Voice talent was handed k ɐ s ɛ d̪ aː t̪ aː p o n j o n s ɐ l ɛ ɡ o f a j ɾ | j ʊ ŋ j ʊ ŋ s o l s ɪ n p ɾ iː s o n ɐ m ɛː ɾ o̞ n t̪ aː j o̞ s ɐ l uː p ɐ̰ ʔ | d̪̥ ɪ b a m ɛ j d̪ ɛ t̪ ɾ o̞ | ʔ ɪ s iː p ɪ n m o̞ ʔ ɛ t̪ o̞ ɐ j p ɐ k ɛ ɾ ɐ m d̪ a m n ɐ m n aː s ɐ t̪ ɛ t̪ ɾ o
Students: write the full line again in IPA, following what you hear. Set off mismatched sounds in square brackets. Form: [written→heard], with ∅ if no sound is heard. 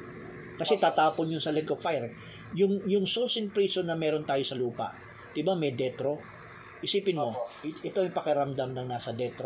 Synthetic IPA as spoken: k ɐ s ɛ [d̪→t̪] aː t̪ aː p o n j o n s ɐ l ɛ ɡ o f a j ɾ | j ʊ ŋ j ʊ ŋ s o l s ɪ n p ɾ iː s o n ɐ m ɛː ɾ o̞ n t̪ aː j o̞ s ɐ l uː p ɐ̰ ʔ | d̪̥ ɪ b a m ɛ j d̪ ɛ t̪ ɾ o̞ | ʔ ɪ s iː p ɪ n m o̞ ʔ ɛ t̪ o̞ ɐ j p ɐ k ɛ ɾ ɐ m d̪ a m n ɐ [m→ŋ] n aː s ɐ [t̪→d̪] ɛ t̪ ɾ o